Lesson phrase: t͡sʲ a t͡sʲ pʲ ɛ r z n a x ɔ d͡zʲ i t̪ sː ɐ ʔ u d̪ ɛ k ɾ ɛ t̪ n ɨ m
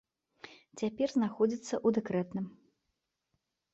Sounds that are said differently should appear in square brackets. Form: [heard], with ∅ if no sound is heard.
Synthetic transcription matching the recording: t͡sʲ a [∅] pʲ ɛ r z n a x ɔ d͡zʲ i t̪ sː ɐ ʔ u d̪ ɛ k ɾ ɛ t̪ n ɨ m